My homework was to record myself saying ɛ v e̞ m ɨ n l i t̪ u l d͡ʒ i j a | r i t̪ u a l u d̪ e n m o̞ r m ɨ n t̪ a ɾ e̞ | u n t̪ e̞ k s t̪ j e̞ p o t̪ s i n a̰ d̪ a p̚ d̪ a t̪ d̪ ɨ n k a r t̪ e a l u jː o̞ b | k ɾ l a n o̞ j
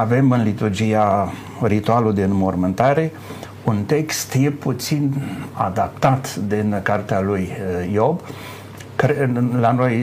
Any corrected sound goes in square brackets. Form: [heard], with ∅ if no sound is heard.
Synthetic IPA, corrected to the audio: [a] v e̞ m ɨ n l i t̪ u [r] d͡ʒ i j a | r i t̪ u a l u d̪ e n m o̞ r m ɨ n t̪ a ɾ e̞ | u n t̪ e̞ k s t̪ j e̞ p [u] t̪ s i n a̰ d̪ a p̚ [t̪] a t̪ d̪ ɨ n k a r t̪ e a l u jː o̞ b | k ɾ l a n o̞ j